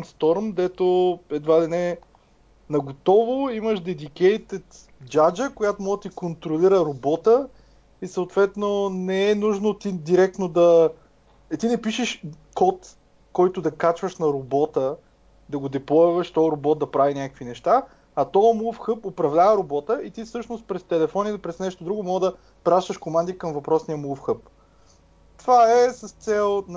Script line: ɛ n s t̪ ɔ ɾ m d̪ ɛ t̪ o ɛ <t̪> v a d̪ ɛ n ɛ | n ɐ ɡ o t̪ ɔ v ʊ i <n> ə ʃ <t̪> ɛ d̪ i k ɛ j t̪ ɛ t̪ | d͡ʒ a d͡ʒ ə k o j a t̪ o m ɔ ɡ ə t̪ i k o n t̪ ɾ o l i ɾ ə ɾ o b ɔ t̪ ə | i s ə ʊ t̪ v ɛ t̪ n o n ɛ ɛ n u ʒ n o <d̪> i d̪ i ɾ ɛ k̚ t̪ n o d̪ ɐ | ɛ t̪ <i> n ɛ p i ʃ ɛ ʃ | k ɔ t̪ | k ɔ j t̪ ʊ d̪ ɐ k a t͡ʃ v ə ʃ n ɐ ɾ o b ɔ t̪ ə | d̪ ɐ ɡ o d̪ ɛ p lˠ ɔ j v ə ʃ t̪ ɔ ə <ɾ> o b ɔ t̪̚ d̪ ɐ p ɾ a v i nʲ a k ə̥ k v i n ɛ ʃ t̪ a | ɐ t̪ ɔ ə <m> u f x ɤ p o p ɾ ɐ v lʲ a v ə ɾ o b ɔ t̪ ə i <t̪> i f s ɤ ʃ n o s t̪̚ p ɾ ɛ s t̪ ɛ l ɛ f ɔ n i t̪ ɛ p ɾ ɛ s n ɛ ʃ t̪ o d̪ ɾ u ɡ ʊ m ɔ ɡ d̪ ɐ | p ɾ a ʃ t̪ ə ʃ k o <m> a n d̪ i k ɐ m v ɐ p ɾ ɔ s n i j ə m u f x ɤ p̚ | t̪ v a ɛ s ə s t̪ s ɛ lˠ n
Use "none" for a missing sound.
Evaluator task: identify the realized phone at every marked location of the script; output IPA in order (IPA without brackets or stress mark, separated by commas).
d̪, m, d̪, t̪, i, ɾ, m, t̪, m